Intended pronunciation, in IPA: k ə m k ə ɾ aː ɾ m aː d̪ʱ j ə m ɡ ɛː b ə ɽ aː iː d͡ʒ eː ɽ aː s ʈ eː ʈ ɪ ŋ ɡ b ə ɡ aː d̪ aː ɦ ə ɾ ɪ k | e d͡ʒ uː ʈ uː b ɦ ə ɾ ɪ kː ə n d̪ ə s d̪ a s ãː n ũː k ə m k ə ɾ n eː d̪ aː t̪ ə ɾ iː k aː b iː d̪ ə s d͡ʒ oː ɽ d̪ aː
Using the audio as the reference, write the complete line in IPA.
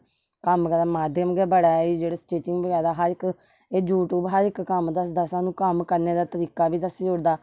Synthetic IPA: k ə m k ə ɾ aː m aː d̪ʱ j ə m ɡ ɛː b ə ɽ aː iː d͡ʒ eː ɽ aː s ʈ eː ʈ ɪ ŋ ɡ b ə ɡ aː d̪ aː ɦ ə ɾ ɪ k | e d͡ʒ uː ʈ uː b ɦ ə ɾ ɪ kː ə m d̪ ə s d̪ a s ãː n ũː k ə m k ə ɾ n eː d̪ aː t̪ ə ɾ iː k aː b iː d̪ ə s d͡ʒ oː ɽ d̪ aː